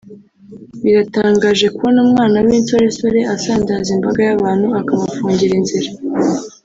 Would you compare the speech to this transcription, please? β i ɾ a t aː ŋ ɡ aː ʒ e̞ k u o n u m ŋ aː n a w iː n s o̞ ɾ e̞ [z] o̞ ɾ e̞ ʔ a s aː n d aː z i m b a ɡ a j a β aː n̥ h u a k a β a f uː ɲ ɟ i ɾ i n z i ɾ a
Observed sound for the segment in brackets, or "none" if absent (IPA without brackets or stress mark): s